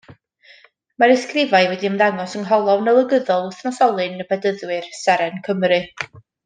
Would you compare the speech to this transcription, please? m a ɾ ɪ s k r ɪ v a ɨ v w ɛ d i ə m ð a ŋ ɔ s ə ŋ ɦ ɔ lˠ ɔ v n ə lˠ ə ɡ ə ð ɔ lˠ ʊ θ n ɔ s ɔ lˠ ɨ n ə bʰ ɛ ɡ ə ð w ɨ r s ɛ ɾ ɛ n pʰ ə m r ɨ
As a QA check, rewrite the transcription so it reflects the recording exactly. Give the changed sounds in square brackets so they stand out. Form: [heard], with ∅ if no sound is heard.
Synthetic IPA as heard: m a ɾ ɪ s k r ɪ v a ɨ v w ɛ d i ə m ð a ŋ ɔ s ə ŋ ɦ ɔ lˠ ɔ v n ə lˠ ə ɡ ə ð ɔ lˠ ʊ θ n ɔ s ɔ lˠ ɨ n ə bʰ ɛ [d] ə ð w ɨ r s ɛ ɾ ɛ n [kʰ] ə m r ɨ